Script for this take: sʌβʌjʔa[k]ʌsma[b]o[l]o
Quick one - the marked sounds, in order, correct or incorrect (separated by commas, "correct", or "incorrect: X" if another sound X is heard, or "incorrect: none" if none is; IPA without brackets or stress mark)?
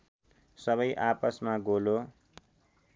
incorrect: p, incorrect: ɡ, correct